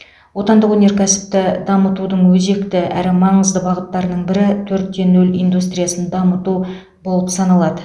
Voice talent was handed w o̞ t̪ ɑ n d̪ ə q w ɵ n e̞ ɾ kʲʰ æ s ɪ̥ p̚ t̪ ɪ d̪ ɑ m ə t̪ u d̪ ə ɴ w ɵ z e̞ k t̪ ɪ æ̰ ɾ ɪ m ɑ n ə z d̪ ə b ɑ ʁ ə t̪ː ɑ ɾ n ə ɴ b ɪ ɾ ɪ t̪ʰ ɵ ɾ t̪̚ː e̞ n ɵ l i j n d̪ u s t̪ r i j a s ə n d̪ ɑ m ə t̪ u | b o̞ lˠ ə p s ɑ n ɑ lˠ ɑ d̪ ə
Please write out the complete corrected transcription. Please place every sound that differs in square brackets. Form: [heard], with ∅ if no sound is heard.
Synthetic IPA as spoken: w o̞ t̪ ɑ n d̪ ə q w ɵ n e̞ ɾ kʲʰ æ s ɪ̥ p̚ t̪ ɪ d̪ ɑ m ə t̪ u d̪ ə ɴ w ɵ z e̞ k t̪ ɪ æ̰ ɾ ɪ m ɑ [ɴ] ə z d̪ ə b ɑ ʁ ə t̪ː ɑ ɾ n ə ɴ b ɪ ɾ ɪ t̪ʰ ɵ ɾ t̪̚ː e̞ n ɵ l i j n d̪ u s t̪ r i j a s ə n d̪ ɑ m ə t̪ u | b o̞ lˠ ə p s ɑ n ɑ lˠ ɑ d̪ ə